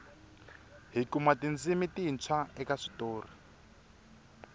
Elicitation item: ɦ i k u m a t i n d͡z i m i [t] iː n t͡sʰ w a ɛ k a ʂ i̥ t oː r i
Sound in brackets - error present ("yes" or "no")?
no